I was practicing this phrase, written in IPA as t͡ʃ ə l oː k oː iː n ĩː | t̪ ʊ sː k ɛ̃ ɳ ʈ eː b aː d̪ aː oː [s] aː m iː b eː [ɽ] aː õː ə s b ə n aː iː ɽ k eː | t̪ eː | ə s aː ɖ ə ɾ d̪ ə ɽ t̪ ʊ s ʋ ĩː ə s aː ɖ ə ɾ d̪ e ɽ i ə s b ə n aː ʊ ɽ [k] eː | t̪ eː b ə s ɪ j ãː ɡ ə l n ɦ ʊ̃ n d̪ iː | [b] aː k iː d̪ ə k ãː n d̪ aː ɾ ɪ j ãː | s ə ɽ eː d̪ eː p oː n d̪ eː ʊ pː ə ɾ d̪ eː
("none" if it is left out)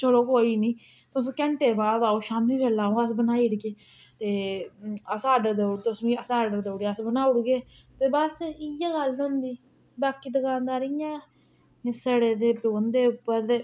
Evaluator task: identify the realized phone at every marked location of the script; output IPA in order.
ʃ, l, ɡ, b

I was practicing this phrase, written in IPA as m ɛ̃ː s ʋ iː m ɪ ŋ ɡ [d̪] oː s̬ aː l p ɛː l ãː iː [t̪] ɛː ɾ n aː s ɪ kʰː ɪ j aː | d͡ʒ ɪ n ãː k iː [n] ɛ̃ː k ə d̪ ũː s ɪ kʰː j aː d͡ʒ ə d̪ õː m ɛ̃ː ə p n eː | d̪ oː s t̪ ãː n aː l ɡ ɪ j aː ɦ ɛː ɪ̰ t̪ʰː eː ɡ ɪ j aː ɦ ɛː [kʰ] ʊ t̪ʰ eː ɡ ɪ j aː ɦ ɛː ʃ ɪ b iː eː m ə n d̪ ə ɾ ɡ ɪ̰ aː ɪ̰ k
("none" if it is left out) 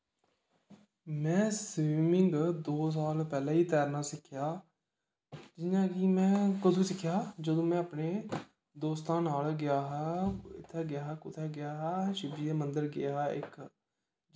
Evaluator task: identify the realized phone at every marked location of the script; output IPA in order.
d̪, t̪, m, k

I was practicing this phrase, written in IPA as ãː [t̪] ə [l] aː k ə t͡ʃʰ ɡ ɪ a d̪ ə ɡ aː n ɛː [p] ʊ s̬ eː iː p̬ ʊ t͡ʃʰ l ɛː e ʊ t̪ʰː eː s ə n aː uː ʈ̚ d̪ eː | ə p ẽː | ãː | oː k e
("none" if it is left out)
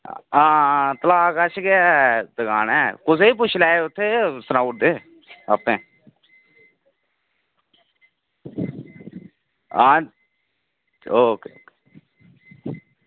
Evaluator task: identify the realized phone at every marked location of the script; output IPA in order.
t̪, l, k

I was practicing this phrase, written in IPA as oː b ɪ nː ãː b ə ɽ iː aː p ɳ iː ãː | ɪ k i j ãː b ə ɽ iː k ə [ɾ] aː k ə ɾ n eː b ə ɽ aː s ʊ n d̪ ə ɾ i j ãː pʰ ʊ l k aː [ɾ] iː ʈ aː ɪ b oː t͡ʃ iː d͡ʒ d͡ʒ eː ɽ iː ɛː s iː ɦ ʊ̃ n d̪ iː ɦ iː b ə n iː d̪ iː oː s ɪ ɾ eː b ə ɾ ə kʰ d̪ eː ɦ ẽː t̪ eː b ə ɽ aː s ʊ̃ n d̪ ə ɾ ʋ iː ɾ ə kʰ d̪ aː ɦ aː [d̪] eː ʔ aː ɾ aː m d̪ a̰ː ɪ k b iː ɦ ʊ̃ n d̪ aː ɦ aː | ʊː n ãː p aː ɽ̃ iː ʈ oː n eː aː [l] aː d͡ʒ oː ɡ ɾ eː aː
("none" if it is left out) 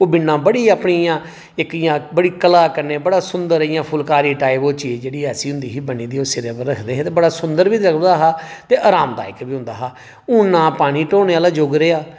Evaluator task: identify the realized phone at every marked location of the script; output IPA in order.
l, ɾ, t̪, l

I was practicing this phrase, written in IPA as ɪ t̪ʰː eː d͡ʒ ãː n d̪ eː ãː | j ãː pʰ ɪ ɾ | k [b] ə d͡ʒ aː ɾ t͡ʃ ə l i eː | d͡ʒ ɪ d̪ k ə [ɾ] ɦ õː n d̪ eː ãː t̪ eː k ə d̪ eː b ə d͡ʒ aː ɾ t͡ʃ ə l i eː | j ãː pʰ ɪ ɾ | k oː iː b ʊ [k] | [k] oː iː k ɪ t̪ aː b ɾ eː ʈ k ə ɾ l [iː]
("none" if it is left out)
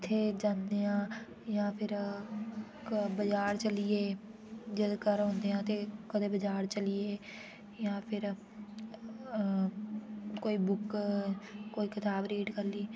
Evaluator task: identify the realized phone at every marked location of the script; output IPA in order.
b, ɾ, k, k, iː

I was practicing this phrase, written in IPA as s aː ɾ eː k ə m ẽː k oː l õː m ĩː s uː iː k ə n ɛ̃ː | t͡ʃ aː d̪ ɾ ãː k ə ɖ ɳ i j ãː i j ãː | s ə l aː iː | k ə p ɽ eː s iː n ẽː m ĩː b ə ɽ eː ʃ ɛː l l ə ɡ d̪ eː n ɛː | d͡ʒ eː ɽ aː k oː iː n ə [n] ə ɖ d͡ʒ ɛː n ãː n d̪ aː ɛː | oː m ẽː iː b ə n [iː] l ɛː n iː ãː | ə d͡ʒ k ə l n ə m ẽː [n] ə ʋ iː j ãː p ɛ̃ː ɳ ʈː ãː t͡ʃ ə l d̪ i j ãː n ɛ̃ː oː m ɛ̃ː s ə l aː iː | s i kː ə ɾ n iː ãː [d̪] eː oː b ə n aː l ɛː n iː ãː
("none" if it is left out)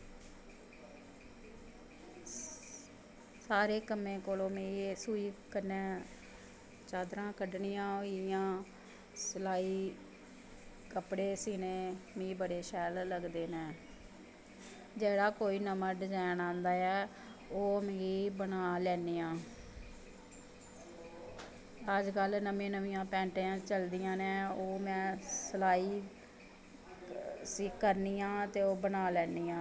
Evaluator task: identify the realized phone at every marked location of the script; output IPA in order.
m, aː, n, t̪

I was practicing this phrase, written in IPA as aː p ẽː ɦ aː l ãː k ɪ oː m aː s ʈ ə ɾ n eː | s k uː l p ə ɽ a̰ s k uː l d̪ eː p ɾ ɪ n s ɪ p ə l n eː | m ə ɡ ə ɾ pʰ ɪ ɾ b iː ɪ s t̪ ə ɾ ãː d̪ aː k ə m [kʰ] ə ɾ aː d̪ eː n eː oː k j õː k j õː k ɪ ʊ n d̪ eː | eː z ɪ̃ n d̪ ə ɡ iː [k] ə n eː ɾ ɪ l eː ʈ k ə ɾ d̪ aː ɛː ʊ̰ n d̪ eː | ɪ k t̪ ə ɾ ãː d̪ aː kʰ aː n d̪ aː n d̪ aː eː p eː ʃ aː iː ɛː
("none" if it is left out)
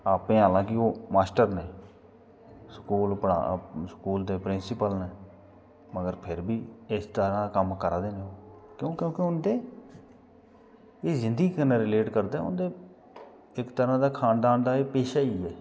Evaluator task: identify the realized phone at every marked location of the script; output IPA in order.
k, k

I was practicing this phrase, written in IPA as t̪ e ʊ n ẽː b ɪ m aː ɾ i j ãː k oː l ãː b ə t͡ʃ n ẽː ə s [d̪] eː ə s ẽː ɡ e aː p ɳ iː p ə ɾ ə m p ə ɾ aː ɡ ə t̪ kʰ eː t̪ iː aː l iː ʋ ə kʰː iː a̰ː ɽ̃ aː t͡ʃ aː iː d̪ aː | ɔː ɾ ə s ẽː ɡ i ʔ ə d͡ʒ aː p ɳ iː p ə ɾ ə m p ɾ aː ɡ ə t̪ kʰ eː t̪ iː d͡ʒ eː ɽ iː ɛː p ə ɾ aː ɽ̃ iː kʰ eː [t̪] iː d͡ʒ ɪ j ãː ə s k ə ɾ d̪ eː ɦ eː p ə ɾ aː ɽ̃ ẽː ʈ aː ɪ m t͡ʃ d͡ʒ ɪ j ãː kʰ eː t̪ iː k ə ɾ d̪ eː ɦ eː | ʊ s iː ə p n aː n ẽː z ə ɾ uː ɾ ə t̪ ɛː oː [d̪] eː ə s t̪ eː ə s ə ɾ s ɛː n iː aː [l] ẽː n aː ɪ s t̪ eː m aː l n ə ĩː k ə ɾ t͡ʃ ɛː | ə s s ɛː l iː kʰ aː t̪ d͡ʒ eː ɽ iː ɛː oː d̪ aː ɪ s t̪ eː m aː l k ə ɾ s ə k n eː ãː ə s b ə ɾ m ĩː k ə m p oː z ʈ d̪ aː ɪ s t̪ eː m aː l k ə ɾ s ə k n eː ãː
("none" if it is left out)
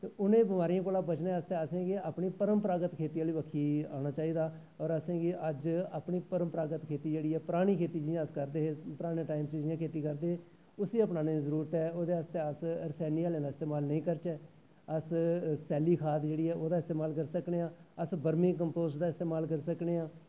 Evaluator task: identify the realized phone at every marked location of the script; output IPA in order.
t̪, t̪, d̪, l

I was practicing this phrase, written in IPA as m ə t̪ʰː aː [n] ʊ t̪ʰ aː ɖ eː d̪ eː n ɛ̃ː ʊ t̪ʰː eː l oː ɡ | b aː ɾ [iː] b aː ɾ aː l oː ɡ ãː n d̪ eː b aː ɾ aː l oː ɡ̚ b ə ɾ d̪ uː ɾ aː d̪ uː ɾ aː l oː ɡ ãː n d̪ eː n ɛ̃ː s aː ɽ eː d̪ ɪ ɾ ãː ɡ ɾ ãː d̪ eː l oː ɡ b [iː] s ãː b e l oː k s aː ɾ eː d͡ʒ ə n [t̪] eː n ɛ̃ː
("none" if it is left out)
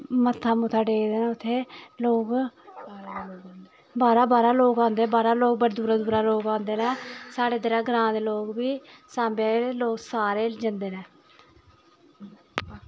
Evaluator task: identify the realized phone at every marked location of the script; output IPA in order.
m, aː, iː, d̪

